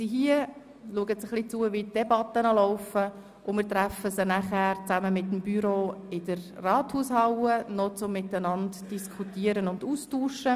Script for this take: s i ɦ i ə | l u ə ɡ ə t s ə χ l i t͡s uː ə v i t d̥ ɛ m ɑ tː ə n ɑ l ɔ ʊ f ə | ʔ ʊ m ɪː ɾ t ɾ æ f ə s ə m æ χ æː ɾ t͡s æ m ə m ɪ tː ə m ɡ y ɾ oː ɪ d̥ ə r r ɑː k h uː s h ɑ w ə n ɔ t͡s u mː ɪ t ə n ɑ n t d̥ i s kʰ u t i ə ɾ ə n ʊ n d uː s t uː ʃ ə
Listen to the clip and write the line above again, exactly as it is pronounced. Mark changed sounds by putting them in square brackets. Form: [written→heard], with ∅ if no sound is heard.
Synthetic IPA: s i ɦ i ə | l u ə ɡ ə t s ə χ l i t͡s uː ə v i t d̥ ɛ [m→b] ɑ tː ə n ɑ l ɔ ʊ f ə | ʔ ʊ m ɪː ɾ t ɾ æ f ə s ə [m→n] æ χ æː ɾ t͡s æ m ə m ɪ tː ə m [ɡ→b] y ɾ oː ɪ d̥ ə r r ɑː [k→t] h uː s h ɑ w ə n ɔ t͡s [u→ʊ] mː ɪ t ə n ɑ n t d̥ i s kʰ u t i ə ɾ ə n ʊ n d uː s t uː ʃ ə